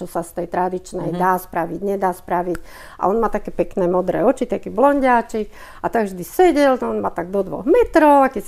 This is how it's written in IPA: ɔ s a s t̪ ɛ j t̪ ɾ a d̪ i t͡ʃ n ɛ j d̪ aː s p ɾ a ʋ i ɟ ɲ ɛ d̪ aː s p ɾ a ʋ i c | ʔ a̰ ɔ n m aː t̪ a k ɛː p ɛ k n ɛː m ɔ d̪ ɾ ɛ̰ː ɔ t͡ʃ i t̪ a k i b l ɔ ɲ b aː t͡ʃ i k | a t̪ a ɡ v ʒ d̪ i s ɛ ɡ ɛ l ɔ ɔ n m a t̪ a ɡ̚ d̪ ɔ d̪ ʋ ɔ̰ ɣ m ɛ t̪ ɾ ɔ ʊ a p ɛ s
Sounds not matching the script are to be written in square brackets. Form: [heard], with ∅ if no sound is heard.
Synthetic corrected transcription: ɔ s a s t̪ ɛ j t̪ ɾ a d̪ i t͡ʃ n ɛ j d̪ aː s p ɾ a ʋ i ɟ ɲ ɛ d̪ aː s p ɾ a ʋ i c | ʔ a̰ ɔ n m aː t̪ a k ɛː p ɛ k n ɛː m ɔ d̪ ɾ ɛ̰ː ɔ t͡ʃ i t̪ a k i b l ɔ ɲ [ɟ] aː t͡ʃ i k | a t̪ a ɡ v ʒ d̪ i s ɛ [ɟ] ɛ l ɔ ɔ n m a t̪ a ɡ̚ d̪ ɔ d̪ ʋ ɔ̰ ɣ m ɛ t̪ ɾ ɔ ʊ a [k] ɛ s